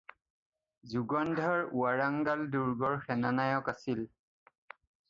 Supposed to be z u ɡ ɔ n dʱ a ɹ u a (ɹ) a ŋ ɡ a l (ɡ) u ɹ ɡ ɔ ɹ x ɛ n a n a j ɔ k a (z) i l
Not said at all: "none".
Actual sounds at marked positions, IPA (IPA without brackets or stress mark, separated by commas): ɹ, d, s